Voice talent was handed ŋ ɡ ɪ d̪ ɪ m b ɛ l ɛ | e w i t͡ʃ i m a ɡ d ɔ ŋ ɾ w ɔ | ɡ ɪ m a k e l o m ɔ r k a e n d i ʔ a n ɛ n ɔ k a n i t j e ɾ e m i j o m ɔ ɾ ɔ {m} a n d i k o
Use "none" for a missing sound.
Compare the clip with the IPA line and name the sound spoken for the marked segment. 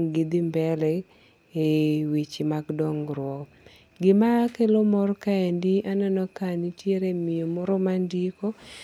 m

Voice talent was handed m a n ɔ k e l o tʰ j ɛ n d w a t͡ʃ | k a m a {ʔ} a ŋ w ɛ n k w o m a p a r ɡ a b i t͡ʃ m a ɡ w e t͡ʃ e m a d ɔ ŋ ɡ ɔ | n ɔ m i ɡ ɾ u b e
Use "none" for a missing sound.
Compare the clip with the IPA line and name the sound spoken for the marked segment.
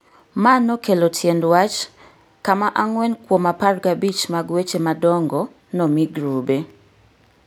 ʔ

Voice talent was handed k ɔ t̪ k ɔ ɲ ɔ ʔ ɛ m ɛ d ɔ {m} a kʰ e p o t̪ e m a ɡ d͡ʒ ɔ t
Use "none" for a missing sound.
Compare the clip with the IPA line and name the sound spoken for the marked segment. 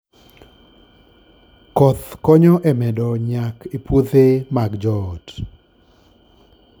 ɲ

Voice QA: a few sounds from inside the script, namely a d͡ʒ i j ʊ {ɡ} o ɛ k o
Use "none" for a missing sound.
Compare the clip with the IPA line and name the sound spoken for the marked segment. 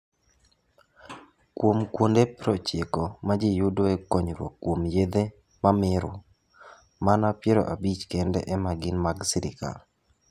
d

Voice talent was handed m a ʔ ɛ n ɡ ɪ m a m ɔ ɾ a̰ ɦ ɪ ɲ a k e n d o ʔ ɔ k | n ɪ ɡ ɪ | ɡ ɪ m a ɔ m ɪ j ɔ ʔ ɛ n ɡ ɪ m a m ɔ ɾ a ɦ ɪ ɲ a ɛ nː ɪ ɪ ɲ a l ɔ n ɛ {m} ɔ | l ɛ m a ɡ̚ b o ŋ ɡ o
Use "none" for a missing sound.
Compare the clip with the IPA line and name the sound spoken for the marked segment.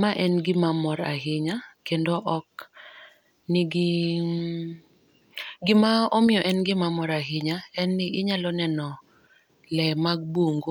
n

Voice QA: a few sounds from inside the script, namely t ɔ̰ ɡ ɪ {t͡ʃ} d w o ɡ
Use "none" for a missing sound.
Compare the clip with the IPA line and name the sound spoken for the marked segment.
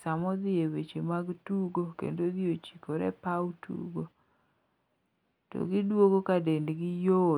none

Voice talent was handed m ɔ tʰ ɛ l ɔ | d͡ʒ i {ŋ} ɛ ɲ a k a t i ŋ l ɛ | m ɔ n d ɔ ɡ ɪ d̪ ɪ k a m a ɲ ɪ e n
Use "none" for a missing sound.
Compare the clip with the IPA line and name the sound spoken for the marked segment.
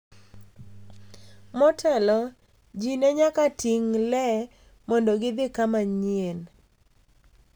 n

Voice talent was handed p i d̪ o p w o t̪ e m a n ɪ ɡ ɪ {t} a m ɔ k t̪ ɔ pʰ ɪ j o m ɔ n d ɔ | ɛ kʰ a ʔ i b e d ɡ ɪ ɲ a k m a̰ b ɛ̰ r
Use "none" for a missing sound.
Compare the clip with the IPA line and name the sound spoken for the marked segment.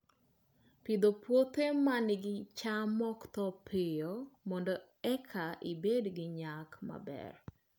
t͡ʃ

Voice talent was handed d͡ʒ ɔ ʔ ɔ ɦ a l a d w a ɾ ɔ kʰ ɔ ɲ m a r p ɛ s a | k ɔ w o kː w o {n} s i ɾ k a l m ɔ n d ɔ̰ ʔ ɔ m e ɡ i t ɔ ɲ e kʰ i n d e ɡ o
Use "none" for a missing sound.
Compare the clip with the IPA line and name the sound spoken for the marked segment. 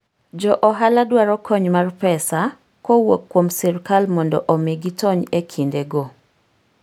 m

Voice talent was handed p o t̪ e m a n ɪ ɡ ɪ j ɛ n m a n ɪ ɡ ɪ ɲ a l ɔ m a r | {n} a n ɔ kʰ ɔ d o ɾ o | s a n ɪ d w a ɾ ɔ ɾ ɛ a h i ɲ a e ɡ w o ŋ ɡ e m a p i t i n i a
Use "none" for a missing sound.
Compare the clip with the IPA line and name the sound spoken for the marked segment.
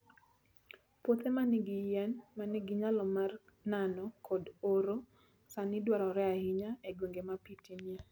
n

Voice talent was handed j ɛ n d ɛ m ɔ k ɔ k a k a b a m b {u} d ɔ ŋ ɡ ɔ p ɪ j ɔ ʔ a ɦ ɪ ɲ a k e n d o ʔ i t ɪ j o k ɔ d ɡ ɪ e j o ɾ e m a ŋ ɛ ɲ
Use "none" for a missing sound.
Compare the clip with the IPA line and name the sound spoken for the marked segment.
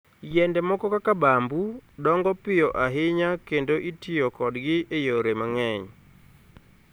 u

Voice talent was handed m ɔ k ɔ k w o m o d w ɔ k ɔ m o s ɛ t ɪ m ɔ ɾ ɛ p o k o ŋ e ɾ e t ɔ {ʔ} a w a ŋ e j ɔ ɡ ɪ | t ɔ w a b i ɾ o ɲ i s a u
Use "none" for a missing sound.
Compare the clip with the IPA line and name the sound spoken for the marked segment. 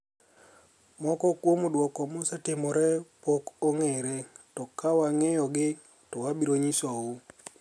k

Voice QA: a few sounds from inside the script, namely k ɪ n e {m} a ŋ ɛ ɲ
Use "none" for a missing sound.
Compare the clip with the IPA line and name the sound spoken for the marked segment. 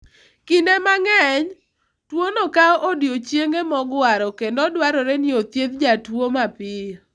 m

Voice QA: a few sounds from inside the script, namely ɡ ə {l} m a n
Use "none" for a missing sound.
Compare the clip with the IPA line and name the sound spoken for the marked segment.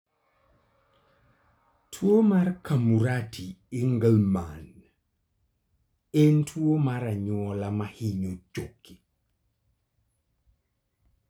l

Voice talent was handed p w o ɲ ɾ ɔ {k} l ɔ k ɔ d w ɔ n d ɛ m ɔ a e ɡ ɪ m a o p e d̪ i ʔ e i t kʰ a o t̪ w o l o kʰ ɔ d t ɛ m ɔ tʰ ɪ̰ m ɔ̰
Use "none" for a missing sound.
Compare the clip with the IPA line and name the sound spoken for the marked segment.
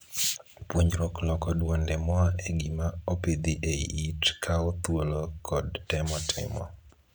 k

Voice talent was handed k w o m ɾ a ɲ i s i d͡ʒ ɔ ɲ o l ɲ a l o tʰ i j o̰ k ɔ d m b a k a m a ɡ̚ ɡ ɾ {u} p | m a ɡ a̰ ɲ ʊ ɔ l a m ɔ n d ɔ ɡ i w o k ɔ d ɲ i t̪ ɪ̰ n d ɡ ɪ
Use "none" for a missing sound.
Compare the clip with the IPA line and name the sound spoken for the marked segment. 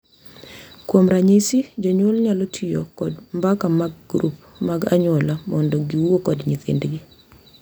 u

